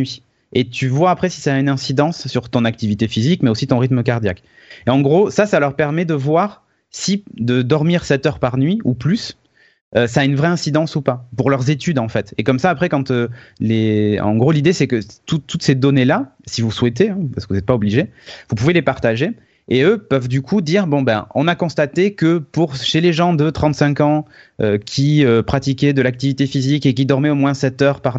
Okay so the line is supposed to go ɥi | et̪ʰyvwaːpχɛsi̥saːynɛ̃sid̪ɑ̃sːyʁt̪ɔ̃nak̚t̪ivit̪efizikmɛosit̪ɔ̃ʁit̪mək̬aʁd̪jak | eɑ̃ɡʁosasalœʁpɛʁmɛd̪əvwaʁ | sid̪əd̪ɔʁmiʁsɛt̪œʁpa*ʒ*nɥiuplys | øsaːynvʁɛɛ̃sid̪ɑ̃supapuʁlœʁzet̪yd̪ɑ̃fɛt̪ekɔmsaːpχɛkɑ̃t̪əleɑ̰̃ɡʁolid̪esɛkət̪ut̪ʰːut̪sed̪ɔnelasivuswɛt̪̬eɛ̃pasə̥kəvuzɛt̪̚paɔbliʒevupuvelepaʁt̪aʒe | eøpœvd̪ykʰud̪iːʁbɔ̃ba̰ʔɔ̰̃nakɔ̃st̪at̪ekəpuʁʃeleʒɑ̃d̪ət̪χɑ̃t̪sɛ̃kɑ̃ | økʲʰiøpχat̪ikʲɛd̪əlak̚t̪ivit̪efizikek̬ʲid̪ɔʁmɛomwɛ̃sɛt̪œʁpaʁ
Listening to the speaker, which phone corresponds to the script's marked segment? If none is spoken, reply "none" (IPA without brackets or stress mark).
ʁ